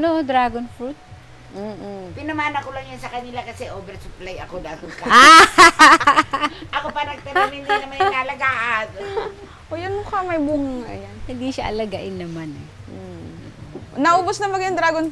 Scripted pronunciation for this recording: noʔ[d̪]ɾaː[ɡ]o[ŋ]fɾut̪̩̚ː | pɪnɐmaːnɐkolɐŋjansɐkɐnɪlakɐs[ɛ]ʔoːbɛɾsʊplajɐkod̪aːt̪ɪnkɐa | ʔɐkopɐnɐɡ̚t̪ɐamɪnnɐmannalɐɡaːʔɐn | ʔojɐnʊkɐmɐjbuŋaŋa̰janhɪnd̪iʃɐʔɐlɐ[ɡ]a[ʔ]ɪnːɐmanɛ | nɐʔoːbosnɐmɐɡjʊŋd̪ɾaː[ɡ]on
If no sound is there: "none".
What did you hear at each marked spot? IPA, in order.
d̪, ɡ, n, ɛ, ɡ, ʔ, ɡ

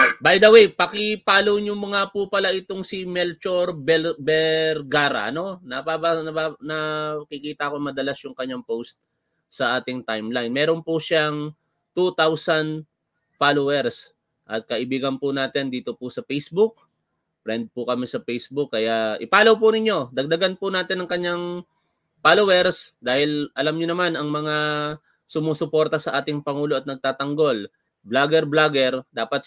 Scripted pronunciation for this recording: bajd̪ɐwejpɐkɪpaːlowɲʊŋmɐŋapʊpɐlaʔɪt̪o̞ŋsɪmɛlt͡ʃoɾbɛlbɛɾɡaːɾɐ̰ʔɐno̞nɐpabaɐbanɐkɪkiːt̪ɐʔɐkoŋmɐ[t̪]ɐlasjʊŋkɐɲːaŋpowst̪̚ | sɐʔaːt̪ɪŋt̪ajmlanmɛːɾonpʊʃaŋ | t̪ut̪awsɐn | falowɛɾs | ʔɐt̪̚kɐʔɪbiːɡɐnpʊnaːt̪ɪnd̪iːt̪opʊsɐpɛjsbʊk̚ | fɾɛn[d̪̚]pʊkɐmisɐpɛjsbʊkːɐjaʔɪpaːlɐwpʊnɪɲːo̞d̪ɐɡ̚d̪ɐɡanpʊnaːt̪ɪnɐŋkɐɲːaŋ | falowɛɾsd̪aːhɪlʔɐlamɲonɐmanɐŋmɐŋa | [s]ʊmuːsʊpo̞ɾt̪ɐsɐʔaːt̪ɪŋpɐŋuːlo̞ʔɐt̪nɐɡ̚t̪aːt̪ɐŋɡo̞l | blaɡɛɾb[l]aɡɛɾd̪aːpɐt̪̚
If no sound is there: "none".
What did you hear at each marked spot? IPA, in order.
d̪, d̪̚, s, l

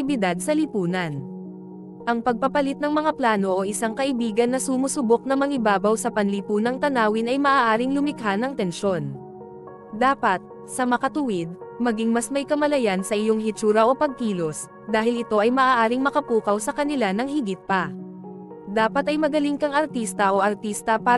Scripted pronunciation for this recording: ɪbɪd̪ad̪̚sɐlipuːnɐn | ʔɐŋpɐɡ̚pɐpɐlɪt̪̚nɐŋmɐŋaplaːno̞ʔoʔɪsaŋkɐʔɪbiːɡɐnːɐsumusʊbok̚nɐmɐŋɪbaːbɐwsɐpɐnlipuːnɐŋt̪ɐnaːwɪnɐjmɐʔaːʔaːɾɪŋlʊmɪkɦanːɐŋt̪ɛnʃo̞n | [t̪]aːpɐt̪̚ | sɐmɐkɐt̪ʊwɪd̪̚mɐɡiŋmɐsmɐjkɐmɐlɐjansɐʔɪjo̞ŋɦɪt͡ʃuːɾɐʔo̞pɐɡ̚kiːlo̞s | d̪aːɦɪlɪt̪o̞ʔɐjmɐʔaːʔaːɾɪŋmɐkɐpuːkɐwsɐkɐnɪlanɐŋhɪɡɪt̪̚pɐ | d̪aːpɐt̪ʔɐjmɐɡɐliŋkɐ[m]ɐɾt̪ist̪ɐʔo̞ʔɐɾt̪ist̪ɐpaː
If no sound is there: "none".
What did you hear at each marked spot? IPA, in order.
d̪, ŋ

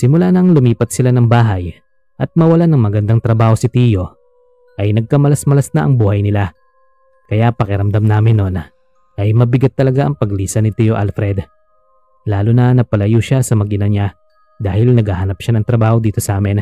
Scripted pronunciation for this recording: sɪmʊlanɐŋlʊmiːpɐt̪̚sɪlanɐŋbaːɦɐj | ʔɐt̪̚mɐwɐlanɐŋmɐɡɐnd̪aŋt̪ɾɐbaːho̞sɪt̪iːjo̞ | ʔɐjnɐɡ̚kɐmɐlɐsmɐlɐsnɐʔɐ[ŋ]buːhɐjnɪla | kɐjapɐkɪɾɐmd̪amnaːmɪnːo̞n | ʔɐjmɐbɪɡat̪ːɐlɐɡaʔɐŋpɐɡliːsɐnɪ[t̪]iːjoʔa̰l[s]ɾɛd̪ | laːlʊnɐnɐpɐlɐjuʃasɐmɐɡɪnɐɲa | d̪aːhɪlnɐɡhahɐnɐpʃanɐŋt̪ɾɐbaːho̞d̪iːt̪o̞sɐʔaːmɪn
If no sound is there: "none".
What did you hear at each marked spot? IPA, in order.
ŋ, t̪, f

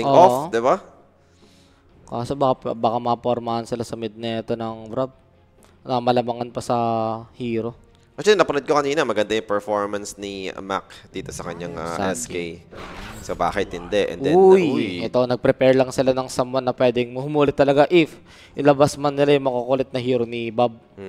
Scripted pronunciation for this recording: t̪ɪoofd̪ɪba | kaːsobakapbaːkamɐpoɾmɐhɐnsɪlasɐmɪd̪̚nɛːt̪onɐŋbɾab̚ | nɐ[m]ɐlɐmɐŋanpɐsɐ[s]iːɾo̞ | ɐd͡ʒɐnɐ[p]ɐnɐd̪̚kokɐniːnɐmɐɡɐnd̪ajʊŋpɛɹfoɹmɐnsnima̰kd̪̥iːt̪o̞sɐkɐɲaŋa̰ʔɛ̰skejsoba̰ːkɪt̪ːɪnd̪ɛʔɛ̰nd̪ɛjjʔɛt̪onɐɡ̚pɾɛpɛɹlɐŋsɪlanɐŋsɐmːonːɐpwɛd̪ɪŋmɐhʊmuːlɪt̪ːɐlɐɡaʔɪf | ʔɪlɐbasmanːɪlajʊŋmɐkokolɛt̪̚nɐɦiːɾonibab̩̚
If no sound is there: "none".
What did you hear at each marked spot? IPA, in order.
m, h, p

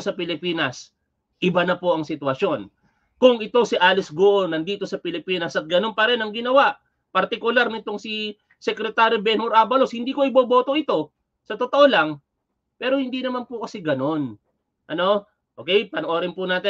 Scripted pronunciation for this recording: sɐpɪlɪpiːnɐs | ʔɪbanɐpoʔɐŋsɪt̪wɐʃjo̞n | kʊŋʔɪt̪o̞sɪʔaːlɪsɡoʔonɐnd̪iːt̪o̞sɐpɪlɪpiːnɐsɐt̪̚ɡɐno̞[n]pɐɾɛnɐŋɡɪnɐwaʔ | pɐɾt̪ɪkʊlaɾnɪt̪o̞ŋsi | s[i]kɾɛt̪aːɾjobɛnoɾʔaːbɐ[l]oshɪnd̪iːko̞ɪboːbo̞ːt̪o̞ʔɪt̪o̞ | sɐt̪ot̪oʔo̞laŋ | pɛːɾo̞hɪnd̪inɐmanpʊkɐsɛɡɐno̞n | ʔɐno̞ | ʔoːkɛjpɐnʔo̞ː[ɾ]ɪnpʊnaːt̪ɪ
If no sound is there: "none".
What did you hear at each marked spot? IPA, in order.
n, ɛ, l, ɾ

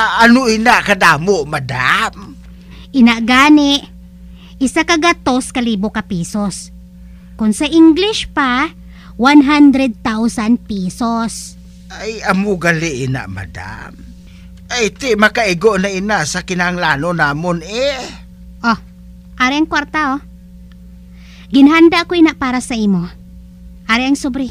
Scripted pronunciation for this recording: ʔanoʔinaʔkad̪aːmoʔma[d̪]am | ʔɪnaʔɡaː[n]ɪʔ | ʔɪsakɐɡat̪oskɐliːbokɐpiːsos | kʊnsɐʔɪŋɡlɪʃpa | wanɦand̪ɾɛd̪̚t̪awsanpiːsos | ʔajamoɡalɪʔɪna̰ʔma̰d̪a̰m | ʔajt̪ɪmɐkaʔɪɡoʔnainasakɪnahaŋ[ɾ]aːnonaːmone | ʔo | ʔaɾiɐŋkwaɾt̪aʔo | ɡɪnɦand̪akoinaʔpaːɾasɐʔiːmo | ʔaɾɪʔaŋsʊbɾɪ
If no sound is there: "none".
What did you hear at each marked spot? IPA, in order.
d̪, n, l

